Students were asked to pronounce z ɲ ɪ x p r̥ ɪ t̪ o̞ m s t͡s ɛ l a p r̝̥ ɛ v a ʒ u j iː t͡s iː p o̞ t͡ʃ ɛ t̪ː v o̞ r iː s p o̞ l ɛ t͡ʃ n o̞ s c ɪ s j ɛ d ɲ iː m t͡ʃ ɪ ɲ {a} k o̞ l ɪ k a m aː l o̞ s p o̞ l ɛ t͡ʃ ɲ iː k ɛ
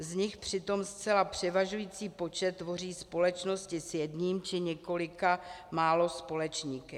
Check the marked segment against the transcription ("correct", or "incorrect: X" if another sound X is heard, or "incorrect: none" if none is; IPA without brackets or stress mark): incorrect: ɛ